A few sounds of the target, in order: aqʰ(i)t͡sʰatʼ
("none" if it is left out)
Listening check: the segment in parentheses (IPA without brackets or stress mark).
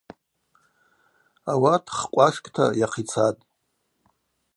i